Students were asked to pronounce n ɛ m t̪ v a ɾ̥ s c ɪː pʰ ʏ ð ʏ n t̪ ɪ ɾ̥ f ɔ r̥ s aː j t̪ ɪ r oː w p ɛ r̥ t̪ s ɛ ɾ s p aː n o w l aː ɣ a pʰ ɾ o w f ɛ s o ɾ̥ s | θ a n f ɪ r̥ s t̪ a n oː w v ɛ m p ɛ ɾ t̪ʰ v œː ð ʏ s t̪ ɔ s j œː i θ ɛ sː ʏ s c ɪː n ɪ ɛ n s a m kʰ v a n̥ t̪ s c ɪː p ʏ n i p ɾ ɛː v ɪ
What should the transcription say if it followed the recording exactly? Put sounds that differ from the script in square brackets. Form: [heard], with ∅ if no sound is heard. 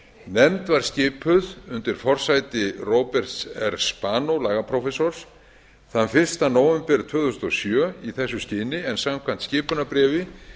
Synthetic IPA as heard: n ɛ m t̪ v a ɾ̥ s c ɪː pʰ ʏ ð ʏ n t̪ ɪ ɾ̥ f ɔ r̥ s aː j t̪ ɪ r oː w p ɛ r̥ t̪ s ɛ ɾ s p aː n o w l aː ɣ a pʰ ɾ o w f ɛ s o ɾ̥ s | θ a n f ɪ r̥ s t̪ a n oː w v ɛ m p ɛ ɾ t̪ʰ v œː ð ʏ s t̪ ɔ s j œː i θ ɛ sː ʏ s c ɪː n ɪ ɛ n s a m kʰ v a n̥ t̪ s c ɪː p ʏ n [a] p ɾ ɛː v ɪ

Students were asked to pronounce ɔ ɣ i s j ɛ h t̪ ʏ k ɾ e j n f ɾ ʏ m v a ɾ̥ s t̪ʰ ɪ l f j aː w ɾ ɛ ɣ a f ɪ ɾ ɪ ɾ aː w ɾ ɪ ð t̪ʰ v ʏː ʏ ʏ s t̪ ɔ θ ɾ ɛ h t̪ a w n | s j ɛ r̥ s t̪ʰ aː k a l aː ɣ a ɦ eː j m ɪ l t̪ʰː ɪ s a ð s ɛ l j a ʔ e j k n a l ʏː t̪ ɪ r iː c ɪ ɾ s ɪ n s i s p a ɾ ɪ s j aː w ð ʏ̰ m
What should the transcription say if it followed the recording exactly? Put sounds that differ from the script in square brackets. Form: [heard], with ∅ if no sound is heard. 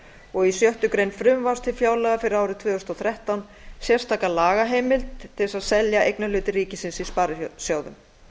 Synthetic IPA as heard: ɔ ɣ i s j [œ] h t̪ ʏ k ɾ e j n f ɾ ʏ m v a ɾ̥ s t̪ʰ ɪ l f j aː w [l] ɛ ɣ a f ɪ ɾ ɪ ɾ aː w ɾ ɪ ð t̪ʰ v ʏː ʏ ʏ s t̪ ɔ θ ɾ ɛ h t̪ a w n | s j ɛ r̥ s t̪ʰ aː k a l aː ɣ a ɦ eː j m ɪ l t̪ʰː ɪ s a ð s ɛ l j a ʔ e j k n a l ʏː t̪ ɪ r iː c ɪ [∅] s ɪ n s i s p a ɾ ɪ s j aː w ð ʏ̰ m

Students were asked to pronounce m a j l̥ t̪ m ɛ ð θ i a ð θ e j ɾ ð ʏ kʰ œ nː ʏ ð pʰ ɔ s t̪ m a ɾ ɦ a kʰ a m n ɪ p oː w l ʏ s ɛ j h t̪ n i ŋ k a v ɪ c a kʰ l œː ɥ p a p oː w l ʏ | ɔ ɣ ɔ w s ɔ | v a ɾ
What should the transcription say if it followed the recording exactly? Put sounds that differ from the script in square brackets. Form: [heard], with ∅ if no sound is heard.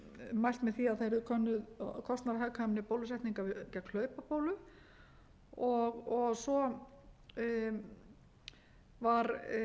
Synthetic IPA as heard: m a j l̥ t̪ m ɛ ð θ i a ð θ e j ɾ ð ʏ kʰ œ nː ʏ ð [kʰ] ɔ s t̪ [n] a ɾ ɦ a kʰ a m n ɪ p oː w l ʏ s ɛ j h t̪ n i ŋ k a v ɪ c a kʰ l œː ɥ p a p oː w l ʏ | ɔ ɣ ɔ [ɣ] s ɔ | v a ɾ

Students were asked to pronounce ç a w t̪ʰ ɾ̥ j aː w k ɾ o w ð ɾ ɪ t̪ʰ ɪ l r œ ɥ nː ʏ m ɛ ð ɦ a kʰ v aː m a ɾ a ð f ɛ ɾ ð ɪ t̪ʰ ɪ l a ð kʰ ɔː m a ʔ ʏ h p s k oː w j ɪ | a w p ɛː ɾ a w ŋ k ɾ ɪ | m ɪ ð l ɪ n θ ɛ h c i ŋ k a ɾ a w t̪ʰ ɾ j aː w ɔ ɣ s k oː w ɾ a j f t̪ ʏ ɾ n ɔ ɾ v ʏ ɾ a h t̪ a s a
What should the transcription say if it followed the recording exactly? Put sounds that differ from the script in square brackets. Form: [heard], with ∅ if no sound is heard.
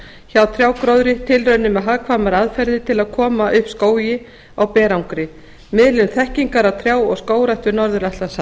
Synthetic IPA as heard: ç a w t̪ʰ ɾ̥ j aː w k ɾ o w ð ɾ ɪ t̪ʰ ɪ l r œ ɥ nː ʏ m ɛ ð ɦ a kʰ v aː m a ɾ a ð f ɛ ɾ ð ɪ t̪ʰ ɪ l a ð kʰ ɔː m a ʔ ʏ h p s k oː w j ɪ | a w p ɛː ɾ a w ŋ k ɾ ɪ | m ɪ ð l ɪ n θ ɛ h c i ŋ k a ɾ a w t̪ʰ ɾ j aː w ɔ ɣ s k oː w ɾ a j [h] t̪ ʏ ɾ n ɔ ɾ [ð] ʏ ɾ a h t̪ a s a

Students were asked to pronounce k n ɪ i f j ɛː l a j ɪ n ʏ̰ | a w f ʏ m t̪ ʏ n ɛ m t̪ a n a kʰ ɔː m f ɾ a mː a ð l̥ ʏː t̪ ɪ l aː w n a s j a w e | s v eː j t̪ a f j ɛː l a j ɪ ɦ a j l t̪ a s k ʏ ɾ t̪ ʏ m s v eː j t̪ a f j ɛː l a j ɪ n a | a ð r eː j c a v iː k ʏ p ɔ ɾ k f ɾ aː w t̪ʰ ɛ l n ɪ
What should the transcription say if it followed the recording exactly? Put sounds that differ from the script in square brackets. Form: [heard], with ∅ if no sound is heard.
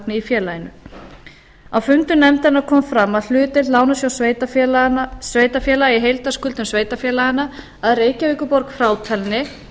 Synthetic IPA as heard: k n ɪ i f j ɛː l a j ɪ n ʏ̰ | a w f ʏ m t̪ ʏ n ɛ m t̪ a n a kʰ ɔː m f ɾ a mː a ð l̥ ʏː t̪ ɪ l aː w n a s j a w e | s v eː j t̪ a f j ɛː l a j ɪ ɦ [e] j l t̪ a s k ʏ [l] t̪ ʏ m s v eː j t̪ a f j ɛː l a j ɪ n a | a ð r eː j c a v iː k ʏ p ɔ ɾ k f ɾ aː w t̪ʰ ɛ l n ɪ

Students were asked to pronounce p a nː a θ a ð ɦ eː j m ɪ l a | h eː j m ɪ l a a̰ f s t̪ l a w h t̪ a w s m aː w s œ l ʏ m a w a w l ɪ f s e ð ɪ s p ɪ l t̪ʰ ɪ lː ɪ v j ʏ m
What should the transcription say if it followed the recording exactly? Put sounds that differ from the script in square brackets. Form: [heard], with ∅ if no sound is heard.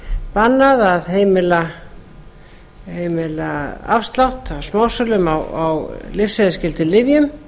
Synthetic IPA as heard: p a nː a [ð] a ð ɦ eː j m ɪ l a | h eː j m ɪ l a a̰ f s t̪ l a w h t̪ a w s m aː w s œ l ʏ m a w a w l ɪ f s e ð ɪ s [c] ɪ l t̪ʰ ɪ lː ɪ v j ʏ m

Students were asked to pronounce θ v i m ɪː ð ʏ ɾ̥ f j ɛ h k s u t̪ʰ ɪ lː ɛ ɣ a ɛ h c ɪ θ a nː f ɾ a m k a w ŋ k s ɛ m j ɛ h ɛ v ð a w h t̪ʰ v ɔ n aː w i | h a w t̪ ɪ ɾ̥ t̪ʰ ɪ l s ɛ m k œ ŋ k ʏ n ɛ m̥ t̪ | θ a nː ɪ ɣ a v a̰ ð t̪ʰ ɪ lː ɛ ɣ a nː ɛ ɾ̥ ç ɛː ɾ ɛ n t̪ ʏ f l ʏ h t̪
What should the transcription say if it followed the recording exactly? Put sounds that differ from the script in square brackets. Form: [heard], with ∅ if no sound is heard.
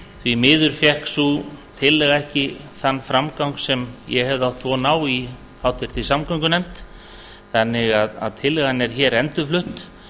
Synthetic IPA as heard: θ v i m ɪː ð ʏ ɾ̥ f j ɛ h k s u t̪ʰ ɪ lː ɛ ɣ a ɛ h c ɪ θ a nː f ɾ a m k a w ŋ k s ɛ m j ɛ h ɛ v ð a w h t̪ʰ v ɔ n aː w i | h a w t̪ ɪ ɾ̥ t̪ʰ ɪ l s [a] m k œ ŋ k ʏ n ɛ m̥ t̪ | θ a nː ɪ ɣ a [ð] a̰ ð t̪ʰ ɪ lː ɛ ɣ a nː ɛ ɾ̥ ç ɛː ɾ ɛ n t̪ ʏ f l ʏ h t̪

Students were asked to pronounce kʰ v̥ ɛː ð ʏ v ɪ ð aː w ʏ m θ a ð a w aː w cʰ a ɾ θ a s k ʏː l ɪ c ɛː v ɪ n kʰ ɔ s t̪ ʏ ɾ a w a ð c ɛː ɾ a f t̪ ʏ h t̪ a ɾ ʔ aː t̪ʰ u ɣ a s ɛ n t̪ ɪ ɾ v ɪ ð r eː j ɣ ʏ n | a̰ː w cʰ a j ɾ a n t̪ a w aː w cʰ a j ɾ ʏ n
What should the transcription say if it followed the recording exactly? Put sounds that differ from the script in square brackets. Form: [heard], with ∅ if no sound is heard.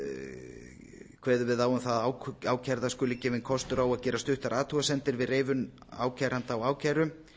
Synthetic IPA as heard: kʰ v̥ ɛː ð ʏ v ɪ ð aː w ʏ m θ a ð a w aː w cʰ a ɾ [ð] a s k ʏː l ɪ c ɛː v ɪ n kʰ ɔ s t̪ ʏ ɾ a w a ð c ɛː ɾ a [s] t̪ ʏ h t̪ a ɾ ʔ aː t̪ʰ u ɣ a s ɛ n t̪ ɪ ɾ v ɪ ð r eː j [v] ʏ n | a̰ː w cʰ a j ɾ a n t̪ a w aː w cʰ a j ɾ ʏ [m]

